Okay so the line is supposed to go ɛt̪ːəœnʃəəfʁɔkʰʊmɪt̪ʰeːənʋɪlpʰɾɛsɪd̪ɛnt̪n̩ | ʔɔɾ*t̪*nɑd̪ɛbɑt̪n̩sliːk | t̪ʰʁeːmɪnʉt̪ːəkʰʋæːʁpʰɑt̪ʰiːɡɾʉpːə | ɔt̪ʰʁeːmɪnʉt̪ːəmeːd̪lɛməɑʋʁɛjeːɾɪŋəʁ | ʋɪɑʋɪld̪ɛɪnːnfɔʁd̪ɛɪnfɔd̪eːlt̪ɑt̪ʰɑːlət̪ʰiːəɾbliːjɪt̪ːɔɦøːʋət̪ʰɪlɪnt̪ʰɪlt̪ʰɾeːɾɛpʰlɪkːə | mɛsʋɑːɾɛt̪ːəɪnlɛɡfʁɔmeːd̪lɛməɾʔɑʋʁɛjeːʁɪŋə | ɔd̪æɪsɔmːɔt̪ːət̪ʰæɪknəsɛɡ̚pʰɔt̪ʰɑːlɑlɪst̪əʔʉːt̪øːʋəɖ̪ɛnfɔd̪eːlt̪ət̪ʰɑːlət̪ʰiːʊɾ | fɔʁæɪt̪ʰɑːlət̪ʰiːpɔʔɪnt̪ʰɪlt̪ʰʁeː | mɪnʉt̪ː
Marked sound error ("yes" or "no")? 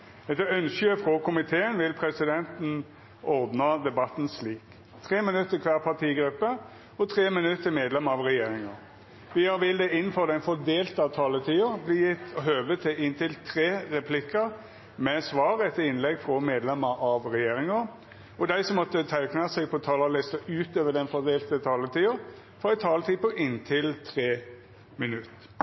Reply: yes